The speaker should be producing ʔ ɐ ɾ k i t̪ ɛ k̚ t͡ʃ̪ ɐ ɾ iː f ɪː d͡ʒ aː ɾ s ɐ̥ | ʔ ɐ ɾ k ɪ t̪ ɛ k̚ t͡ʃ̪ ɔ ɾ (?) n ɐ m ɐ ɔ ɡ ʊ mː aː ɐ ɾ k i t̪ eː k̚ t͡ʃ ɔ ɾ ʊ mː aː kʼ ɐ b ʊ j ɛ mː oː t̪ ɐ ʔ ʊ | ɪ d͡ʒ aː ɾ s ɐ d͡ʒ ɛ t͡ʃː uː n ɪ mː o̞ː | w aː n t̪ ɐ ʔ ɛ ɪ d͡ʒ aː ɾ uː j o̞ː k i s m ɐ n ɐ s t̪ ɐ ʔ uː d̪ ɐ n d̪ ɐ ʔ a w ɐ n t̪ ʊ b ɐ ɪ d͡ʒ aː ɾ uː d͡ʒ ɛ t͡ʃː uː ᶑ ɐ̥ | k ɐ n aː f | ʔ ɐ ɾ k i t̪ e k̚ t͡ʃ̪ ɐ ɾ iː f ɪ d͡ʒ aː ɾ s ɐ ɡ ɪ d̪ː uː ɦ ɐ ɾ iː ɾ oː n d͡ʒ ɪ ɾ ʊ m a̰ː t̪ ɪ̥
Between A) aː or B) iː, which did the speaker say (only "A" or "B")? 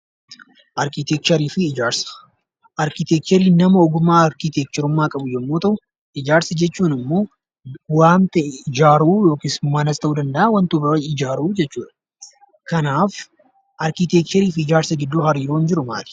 B